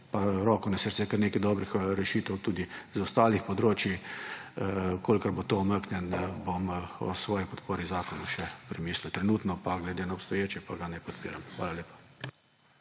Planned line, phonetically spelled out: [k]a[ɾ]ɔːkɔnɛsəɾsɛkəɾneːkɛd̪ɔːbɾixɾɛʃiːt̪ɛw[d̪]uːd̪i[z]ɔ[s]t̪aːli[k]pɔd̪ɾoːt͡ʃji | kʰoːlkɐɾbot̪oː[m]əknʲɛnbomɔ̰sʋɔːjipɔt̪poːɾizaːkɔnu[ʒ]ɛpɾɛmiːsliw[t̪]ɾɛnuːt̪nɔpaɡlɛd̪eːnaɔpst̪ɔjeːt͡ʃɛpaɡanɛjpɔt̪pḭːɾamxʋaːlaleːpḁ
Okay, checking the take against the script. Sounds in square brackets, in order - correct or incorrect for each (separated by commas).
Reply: incorrect, correct, incorrect, correct, correct, incorrect, correct, incorrect, correct